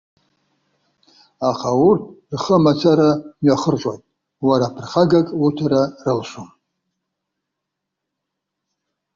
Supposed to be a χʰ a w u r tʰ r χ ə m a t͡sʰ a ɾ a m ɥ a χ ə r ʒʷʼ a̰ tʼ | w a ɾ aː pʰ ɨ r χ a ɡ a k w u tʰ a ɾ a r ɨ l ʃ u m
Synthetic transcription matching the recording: a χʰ a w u r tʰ r χ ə m a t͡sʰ a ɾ a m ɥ a χ ə r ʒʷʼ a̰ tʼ | w a ɾ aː pʰ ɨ r χ a ɡ a kʼ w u tʰ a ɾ a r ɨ l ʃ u m